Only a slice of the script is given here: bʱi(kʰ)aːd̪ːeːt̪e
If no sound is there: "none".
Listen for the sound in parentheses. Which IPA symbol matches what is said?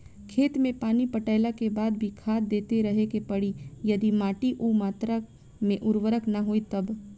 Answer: kʰ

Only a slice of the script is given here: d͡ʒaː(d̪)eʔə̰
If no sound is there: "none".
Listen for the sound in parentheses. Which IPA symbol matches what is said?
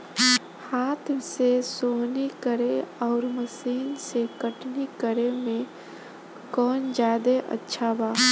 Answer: d̪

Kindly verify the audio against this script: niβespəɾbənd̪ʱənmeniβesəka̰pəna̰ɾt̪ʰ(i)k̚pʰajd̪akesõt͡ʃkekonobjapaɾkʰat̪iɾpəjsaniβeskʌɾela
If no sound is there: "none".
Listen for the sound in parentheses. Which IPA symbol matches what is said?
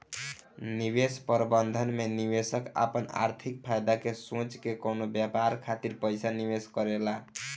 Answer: i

